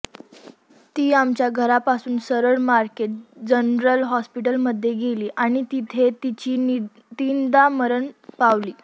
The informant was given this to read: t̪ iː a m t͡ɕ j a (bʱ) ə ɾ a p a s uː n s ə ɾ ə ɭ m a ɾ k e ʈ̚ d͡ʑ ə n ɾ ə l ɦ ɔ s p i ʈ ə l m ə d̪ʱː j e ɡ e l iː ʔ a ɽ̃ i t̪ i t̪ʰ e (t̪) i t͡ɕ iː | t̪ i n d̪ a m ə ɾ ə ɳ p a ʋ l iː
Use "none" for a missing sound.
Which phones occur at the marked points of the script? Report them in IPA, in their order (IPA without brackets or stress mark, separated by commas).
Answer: ɡʱ, t̪